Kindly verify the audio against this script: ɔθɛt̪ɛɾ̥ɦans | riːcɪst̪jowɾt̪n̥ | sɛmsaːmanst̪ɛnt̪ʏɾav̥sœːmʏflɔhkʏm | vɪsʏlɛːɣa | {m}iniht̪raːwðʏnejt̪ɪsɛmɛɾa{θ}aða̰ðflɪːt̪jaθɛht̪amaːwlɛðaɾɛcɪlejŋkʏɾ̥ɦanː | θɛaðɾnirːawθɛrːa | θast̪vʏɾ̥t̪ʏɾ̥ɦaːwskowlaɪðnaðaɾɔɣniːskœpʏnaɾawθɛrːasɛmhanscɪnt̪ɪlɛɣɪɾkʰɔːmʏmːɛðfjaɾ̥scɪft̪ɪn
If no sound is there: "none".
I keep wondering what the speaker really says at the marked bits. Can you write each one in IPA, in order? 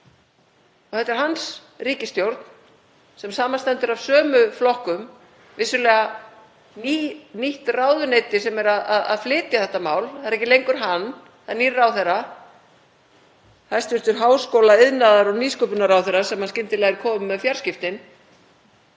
n, ð

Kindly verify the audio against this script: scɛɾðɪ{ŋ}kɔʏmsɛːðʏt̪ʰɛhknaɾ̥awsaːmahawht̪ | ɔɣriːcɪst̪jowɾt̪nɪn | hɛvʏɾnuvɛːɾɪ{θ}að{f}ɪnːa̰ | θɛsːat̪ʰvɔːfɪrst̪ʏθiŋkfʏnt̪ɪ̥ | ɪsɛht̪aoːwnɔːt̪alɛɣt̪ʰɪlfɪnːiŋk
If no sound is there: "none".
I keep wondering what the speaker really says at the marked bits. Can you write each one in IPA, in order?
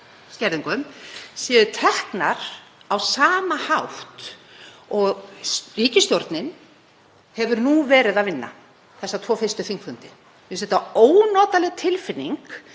ŋ, ð, v

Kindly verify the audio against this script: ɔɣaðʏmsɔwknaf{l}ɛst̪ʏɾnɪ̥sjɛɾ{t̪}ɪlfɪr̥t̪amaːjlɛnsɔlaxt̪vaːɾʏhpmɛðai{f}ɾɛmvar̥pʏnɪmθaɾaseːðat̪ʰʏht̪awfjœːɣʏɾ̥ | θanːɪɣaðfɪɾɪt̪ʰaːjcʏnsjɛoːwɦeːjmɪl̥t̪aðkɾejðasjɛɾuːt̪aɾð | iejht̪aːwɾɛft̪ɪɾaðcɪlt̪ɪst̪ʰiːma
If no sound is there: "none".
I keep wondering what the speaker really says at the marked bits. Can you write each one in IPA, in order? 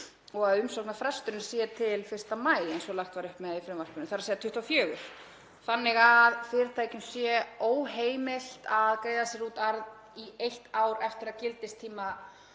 ɾ, t̪ʰ, f

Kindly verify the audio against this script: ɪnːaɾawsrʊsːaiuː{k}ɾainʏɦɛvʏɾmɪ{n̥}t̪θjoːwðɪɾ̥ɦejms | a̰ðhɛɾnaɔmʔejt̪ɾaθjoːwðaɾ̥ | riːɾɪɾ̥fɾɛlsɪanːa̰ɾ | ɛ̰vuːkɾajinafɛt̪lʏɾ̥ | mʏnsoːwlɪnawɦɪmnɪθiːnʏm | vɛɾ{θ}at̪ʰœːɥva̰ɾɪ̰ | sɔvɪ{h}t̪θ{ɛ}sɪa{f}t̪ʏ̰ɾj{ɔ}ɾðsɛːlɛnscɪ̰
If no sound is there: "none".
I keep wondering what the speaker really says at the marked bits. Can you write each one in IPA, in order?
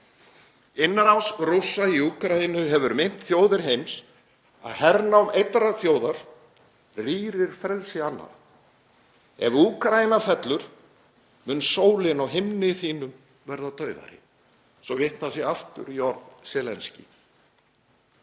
k, n̥, ð, h, a, f, ɔ

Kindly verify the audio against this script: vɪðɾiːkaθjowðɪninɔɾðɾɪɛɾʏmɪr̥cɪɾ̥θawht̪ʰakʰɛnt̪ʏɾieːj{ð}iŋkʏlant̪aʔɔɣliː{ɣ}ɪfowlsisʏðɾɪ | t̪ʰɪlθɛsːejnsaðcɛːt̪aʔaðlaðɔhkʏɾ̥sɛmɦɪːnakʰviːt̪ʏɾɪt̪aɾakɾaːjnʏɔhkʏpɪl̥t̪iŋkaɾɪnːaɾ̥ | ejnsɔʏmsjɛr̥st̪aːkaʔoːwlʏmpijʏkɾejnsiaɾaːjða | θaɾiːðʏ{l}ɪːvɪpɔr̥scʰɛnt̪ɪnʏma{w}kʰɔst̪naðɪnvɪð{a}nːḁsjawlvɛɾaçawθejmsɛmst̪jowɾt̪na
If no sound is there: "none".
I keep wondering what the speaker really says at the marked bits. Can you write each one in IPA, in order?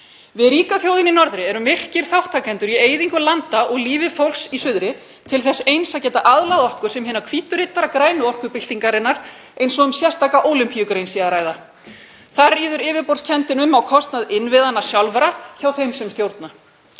ð, v, ɾ, w, a

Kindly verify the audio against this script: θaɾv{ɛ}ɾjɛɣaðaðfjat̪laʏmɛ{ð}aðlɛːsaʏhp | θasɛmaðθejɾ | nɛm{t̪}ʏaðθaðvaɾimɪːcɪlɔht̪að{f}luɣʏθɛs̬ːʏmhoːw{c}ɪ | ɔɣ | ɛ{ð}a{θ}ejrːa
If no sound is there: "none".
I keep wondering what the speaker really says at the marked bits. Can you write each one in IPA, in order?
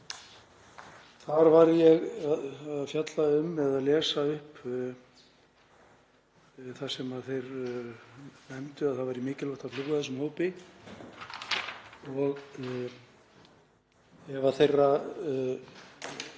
a, ð, t̪, f, p, v, θ

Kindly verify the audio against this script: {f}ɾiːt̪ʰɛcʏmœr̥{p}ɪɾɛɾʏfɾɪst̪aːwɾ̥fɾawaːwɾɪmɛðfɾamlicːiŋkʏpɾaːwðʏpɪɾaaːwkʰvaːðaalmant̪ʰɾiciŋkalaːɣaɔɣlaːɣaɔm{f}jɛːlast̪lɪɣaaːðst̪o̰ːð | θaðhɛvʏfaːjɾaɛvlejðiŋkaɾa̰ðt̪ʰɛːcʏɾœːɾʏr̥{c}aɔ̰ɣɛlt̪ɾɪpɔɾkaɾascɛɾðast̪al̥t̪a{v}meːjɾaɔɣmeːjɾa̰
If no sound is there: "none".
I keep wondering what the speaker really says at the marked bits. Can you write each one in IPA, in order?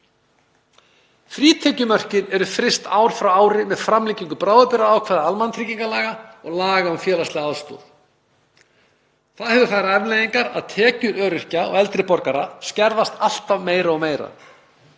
f, c, f, c, v

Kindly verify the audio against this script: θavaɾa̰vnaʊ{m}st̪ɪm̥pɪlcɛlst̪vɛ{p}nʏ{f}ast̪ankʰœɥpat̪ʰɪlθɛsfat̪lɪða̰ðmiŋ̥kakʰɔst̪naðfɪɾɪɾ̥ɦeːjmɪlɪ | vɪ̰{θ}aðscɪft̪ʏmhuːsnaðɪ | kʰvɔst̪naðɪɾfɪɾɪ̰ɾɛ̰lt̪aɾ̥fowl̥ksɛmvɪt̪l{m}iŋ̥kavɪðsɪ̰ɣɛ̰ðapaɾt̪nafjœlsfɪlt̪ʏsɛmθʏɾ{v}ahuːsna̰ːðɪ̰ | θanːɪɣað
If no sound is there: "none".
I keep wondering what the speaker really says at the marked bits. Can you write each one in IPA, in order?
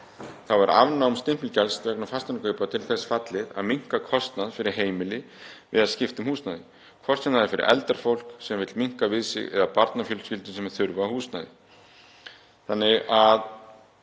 m, k, f, ð, m, v

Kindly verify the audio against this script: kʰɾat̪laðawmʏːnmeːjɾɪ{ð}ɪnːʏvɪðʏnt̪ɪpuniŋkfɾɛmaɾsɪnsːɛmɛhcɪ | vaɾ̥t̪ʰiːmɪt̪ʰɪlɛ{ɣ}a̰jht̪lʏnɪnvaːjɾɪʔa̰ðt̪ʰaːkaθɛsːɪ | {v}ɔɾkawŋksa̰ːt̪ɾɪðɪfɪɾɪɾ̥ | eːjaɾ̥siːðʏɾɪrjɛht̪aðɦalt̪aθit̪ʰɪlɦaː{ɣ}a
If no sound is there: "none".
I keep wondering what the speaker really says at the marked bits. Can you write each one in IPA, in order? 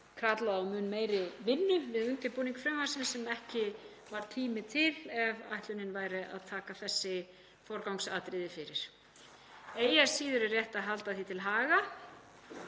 v, v, f, ɣ

